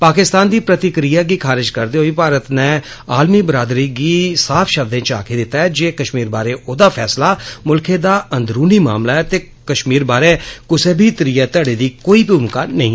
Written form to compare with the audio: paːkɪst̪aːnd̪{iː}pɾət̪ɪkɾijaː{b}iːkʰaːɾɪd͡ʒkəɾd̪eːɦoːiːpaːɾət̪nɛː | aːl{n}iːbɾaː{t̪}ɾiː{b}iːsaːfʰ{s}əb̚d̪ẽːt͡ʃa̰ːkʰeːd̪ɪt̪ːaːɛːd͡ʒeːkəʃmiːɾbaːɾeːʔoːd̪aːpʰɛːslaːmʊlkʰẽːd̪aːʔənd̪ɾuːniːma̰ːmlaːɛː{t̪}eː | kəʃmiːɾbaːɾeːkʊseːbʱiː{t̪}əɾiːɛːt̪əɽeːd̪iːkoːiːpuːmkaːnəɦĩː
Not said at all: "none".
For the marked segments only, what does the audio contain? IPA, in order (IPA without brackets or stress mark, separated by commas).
iː, ɡ, m, d̪, ɡ, ʃ, t̪, t̪